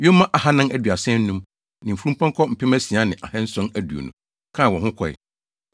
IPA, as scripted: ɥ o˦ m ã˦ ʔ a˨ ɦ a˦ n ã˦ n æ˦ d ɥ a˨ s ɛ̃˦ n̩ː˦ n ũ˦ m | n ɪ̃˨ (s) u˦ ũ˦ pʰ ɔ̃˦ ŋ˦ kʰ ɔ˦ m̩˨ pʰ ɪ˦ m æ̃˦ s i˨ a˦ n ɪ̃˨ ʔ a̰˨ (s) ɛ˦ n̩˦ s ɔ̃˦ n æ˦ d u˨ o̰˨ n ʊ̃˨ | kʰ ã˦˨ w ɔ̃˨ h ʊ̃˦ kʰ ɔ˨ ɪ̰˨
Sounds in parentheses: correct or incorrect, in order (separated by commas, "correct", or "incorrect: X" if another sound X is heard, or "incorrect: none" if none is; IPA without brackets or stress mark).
incorrect: f, incorrect: h